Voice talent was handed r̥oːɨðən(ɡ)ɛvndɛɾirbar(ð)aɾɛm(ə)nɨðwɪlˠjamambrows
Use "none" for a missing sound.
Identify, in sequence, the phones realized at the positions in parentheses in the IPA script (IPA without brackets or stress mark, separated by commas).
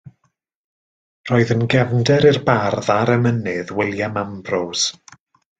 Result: ɡ, ð, ə